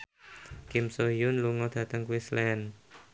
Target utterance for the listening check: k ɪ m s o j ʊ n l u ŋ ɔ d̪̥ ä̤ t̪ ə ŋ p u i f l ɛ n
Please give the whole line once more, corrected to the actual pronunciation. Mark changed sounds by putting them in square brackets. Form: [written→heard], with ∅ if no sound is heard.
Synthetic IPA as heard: k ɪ m s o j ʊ n l u ŋ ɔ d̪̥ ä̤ t̪ ə ŋ [p→k] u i [f→s] l ɛ n

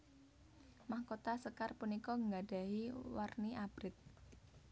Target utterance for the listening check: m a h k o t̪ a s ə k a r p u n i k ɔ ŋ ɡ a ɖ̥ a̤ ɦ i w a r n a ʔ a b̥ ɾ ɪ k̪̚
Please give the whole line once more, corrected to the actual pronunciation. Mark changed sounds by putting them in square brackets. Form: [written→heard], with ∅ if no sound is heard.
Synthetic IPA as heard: m a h k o t̪ a s ə k a r p u n i k ɔ ŋ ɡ a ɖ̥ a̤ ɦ i w a r n [a→i] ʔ a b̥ ɾ ɪ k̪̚

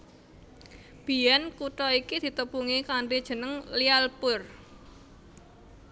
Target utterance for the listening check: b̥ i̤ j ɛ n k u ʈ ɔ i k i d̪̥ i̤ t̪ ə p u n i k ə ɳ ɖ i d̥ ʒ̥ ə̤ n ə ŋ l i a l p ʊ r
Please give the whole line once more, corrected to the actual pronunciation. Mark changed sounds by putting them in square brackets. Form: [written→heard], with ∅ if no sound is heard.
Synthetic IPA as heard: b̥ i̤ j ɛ n k u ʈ ɔ i k i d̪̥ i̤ t̪ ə p u [n→ŋ] i k [ə→a] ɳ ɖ i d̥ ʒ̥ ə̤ n ə ŋ l i a l p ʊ r

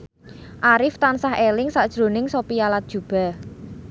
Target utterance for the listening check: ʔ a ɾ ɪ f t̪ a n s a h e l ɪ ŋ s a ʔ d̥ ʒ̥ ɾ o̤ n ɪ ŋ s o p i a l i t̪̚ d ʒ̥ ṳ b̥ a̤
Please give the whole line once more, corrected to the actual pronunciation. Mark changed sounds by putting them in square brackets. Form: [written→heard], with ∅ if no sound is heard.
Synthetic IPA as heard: ʔ a ɾ ɪ f t̪ a n s a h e l ɪ ŋ s a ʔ d̥ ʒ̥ ɾ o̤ n ɪ ŋ s o p i a l [i→a] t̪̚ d ʒ̥ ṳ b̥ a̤

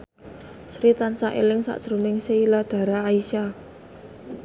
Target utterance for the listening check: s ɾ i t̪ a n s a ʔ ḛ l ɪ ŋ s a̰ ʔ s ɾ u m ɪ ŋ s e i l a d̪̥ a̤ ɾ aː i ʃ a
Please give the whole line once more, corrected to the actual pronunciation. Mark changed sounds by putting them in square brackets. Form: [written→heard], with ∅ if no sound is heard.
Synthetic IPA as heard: s ɾ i t̪ a n s a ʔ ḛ l ɪ ŋ s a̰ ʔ s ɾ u m ɪ ŋ s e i l a d̪̥ a̤ ɾ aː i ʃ a

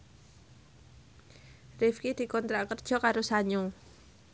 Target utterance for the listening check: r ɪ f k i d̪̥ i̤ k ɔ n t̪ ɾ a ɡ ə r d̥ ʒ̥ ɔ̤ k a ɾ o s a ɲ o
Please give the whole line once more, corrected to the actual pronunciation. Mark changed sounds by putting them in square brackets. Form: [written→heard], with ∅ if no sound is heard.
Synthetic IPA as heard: r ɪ f k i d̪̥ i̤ k ɔ n t̪ ɾ a [ɡ→k] ə r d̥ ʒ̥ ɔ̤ k a ɾ o s a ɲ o

